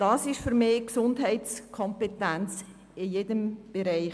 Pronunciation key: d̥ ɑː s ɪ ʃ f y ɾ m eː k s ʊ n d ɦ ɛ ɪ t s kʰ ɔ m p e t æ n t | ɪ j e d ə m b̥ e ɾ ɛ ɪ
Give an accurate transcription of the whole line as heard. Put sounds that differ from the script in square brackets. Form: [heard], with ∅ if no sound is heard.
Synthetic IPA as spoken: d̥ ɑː s ɪ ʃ f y ɾ m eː k s ʊ n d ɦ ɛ ɪ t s kʰ ɔ m p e t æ n [t͡s] | ɪ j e d ə m b̥ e ɾ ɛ ɪ